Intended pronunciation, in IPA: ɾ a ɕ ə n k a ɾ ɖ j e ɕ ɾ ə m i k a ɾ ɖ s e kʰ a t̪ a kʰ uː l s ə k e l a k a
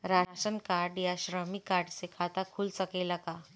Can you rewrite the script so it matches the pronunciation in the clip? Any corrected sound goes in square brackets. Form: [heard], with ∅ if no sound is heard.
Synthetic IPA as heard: ɾ a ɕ ə n k a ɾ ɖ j [a] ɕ ɾ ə m i k a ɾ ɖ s e kʰ a t̪ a kʰ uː l s ə k e l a k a